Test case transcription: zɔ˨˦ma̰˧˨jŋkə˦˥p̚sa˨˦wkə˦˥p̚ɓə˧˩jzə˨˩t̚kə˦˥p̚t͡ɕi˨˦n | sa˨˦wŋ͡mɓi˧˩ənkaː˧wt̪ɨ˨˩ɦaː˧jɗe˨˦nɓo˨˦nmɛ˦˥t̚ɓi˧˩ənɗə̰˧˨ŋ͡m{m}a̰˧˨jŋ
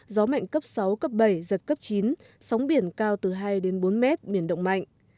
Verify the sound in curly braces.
correct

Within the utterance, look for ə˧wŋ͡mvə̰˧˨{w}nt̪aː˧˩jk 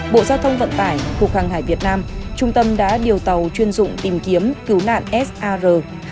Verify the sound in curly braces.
incorrect: none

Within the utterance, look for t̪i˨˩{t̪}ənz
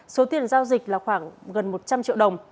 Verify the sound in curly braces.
incorrect: none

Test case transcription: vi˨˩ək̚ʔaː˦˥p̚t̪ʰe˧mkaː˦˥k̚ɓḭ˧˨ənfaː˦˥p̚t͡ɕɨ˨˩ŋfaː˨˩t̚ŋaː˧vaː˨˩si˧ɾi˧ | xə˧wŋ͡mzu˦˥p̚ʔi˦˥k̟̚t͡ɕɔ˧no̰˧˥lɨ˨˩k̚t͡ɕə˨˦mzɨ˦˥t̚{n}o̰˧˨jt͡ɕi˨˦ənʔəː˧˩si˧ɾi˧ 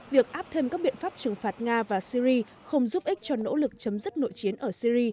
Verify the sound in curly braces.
correct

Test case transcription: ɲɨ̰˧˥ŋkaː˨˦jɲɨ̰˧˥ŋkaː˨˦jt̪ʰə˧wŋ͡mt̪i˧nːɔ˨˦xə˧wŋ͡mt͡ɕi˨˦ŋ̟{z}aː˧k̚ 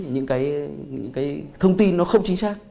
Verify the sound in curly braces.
incorrect: s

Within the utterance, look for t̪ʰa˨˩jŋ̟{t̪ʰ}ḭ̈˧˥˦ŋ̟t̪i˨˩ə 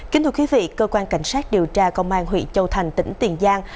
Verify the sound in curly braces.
incorrect: t̪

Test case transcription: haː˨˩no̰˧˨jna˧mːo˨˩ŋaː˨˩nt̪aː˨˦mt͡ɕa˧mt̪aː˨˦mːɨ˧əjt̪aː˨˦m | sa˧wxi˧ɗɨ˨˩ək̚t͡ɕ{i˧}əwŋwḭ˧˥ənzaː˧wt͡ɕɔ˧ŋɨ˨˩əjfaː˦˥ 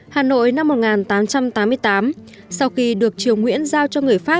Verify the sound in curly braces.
incorrect: i˨˩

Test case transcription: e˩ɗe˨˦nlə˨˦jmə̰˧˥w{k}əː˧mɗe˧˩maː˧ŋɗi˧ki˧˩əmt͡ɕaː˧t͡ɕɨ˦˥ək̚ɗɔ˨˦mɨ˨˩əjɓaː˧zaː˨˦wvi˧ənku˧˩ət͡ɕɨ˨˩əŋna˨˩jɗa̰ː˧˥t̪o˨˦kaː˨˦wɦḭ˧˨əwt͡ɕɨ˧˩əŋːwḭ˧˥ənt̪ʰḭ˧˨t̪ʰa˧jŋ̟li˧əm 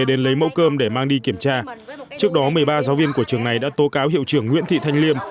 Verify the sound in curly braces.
correct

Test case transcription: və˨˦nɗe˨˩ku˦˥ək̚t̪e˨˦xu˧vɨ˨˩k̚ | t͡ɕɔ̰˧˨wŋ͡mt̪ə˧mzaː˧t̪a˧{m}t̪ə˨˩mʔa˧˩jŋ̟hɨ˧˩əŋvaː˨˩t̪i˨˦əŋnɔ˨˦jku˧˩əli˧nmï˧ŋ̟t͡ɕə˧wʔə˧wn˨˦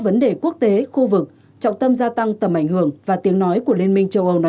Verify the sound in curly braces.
incorrect: ŋ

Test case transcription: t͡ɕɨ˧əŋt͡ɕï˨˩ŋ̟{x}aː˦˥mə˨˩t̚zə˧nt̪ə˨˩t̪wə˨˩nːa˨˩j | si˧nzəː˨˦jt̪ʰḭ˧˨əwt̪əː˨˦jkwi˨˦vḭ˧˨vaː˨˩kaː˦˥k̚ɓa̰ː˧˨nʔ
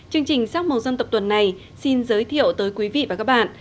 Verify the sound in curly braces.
incorrect: s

